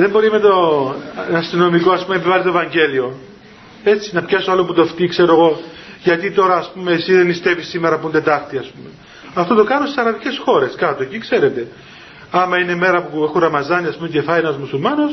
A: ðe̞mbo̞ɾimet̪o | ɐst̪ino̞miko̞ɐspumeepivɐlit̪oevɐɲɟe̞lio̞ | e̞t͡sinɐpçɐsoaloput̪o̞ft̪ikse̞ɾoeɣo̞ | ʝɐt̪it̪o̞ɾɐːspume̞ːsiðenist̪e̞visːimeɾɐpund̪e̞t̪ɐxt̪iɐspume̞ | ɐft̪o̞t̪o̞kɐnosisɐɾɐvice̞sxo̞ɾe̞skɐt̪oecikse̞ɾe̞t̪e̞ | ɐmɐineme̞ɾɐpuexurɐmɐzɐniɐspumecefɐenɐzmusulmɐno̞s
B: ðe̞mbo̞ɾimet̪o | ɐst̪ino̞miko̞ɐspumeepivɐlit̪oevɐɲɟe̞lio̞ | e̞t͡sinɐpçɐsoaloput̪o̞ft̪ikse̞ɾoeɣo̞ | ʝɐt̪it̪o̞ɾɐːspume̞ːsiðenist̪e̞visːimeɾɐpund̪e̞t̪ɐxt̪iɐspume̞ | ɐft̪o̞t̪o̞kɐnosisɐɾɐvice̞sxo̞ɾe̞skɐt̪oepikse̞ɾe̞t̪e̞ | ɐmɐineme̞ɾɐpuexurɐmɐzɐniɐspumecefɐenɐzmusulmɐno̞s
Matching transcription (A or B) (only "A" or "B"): A